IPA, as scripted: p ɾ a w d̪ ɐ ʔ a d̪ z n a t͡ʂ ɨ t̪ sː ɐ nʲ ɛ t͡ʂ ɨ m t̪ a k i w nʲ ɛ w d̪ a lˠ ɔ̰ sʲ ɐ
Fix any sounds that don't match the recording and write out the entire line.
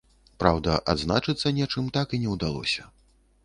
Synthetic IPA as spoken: p ɾ a w d̪ ɐ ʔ a d̪ z n a t͡ʂ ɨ t̪ sː ɐ nʲ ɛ t͡ʂ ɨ m t̪ a k i nʲ ɛ w d̪ a lˠ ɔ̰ sʲ ɐ